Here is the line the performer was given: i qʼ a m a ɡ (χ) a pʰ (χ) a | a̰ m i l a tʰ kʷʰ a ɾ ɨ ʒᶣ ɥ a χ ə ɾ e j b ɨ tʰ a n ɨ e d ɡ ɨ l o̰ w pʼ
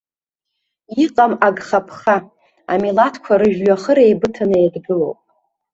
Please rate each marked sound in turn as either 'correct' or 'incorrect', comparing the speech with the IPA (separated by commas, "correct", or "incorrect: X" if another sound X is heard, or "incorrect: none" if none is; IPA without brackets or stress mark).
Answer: correct, correct